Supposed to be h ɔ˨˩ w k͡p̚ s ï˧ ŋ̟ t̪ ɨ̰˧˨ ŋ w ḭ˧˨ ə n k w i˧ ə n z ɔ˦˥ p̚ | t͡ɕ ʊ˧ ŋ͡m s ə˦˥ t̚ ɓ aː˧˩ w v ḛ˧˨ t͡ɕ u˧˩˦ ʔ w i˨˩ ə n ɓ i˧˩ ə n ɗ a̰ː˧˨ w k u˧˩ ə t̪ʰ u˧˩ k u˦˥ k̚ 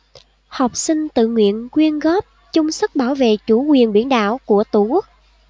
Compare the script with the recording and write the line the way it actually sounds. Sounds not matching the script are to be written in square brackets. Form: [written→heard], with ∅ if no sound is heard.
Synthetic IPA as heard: h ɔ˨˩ w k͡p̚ s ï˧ ŋ̟ t̪ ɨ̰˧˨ ŋ w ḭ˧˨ ə n k w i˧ ə n [z→ɣ] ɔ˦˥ p̚ | t͡ɕ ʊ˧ ŋ͡m s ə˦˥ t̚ ɓ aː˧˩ w v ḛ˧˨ t͡ɕ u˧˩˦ [ʔ→k] w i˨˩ ə n ɓ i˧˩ ə n ɗ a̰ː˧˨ w k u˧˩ ə [t̪ʰ→t̪] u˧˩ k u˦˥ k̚